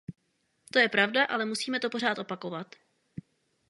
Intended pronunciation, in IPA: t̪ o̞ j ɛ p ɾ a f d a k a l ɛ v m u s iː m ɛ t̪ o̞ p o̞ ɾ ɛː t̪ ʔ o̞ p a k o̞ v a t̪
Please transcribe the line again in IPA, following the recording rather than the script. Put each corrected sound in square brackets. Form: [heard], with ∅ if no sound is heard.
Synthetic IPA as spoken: t̪ o̞ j ɛ p ɾ a [v] d a [ʔ] a l ɛ [∅] m u s iː m ɛ t̪ o̞ p o̞ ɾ [aː] t̪ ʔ o̞ p a k o̞ v a t̪